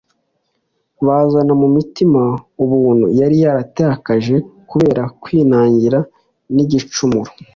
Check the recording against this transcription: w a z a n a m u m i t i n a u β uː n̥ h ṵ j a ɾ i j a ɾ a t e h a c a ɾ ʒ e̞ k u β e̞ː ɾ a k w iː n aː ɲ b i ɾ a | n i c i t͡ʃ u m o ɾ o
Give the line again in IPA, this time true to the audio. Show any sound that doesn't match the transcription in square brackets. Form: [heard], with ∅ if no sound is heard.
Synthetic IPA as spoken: [β] a z a n a m u m i t i [m] a u β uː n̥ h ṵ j a ɾ i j a ɾ a t e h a [k] a [∅] ʒ e̞ k u β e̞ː ɾ a k w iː n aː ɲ [ɟ] i ɾ a | n i [ɟ] i t͡ʃ u m [u] ɾ o